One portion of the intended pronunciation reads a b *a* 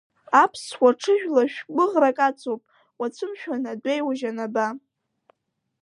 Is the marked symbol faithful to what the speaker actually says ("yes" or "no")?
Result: yes